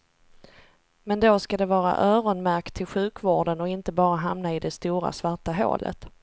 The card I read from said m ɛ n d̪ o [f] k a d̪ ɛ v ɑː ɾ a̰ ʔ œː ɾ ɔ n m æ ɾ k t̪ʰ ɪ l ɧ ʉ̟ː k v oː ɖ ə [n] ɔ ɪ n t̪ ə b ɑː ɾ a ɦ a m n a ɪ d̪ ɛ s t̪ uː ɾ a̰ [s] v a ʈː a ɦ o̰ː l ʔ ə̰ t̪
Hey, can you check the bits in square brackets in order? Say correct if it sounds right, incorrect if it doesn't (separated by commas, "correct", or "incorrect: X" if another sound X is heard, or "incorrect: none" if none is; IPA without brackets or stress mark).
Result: incorrect: s, correct, correct